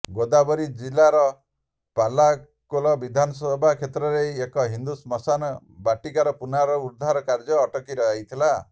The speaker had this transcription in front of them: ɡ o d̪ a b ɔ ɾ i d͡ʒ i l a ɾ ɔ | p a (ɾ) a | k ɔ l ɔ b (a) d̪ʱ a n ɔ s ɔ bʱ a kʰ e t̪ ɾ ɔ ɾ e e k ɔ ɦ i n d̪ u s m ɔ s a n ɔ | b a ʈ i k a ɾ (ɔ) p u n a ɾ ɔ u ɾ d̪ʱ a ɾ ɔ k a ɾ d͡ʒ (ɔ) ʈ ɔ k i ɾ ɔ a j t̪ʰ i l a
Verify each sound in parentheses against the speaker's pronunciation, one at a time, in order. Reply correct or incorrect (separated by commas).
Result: incorrect, incorrect, correct, incorrect